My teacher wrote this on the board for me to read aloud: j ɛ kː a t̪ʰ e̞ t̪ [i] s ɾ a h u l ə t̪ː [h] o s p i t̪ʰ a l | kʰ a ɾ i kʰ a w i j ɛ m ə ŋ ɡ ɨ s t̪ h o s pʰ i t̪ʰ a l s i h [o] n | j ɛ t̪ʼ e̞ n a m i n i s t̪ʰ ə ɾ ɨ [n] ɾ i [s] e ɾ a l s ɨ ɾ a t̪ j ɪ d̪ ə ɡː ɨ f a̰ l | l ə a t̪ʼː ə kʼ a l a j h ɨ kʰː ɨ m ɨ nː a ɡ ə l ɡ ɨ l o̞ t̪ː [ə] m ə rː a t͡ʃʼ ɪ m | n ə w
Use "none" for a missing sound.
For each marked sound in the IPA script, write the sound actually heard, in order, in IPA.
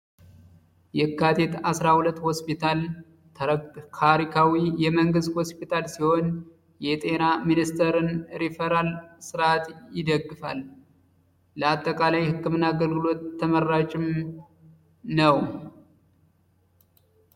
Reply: a, h, o, n, f, ə

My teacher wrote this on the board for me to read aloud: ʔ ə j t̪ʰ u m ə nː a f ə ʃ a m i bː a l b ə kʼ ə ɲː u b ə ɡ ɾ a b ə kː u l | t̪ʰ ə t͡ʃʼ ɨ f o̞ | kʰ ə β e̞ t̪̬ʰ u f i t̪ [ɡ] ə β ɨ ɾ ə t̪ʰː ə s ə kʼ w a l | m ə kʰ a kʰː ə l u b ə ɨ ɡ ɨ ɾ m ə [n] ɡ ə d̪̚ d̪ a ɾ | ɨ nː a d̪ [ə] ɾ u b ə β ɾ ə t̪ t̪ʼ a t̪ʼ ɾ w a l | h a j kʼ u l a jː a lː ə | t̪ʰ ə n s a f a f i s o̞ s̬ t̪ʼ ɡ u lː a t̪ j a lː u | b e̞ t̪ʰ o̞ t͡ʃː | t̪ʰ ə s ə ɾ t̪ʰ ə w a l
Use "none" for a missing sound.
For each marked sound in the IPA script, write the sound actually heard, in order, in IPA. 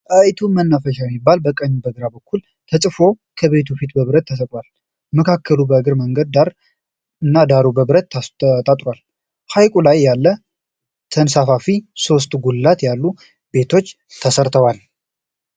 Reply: b, ŋ, a

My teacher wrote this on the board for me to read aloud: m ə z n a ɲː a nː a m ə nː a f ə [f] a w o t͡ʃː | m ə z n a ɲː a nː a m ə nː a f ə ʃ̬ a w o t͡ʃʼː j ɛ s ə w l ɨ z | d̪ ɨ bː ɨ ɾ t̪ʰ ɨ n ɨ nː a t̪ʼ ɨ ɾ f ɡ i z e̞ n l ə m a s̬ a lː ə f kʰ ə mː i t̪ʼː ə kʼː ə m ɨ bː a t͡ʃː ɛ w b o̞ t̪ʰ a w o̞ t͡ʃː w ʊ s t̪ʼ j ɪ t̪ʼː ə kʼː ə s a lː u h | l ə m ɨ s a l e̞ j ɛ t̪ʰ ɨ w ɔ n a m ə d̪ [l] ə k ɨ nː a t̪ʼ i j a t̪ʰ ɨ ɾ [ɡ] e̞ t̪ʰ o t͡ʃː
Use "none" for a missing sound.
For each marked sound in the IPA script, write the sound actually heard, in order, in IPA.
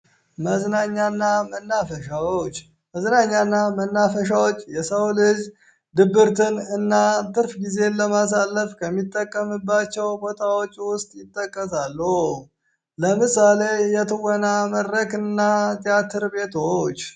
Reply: ʃ, ɾ, b

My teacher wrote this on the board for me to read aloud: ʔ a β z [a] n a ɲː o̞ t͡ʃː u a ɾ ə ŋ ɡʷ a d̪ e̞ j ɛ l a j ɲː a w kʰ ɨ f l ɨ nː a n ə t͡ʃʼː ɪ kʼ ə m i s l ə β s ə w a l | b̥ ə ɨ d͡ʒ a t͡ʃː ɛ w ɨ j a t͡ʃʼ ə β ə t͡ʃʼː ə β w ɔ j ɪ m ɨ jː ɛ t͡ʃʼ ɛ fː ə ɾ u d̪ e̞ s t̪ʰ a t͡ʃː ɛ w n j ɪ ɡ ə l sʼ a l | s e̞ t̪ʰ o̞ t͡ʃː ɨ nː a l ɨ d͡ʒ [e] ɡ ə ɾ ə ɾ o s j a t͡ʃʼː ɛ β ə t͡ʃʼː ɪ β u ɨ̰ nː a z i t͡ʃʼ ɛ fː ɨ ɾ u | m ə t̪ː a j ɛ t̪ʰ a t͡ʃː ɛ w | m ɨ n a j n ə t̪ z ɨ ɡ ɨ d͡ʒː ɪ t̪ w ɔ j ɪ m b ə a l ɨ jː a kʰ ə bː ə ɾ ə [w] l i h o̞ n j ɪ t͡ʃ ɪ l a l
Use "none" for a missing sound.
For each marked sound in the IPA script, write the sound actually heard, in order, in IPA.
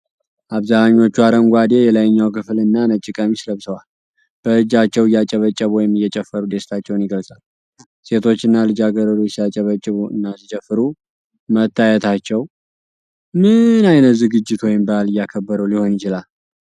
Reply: a, a, w

